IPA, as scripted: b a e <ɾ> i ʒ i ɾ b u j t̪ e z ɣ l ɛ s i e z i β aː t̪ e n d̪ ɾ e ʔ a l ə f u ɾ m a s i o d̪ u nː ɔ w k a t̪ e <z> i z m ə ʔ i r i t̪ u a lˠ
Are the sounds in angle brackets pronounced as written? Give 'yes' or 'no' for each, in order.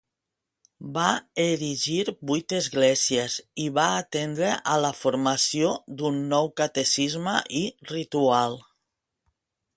yes, no

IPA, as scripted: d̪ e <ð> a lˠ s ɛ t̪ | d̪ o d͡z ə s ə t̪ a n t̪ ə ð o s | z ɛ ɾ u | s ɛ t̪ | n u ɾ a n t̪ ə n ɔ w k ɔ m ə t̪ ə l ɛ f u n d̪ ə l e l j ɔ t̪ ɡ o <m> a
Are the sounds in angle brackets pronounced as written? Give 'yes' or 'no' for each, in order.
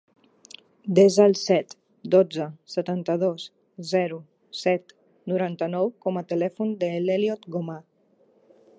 no, yes

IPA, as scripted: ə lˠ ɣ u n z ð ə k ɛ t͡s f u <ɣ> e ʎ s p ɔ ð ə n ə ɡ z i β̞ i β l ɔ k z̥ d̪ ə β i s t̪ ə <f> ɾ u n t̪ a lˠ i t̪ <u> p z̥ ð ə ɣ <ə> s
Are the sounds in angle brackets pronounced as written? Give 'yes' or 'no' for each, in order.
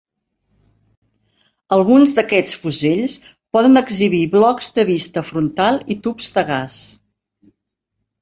no, yes, yes, no

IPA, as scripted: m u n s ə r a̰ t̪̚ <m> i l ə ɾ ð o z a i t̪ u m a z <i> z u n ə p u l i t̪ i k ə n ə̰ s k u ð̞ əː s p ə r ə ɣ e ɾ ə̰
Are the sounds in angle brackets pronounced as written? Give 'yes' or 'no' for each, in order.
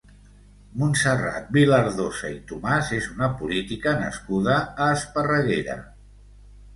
no, no

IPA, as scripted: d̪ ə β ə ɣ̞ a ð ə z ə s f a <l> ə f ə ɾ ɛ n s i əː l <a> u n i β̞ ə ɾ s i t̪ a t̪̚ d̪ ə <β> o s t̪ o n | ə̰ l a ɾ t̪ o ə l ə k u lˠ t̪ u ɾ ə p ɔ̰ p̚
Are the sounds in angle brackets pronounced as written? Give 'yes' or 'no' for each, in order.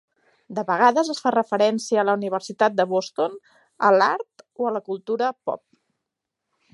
no, no, yes

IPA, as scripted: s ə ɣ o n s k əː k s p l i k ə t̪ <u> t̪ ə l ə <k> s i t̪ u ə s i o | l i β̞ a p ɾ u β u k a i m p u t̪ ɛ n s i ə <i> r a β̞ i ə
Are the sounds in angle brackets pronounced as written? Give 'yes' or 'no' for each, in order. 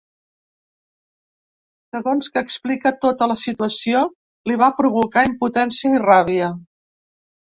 no, no, yes

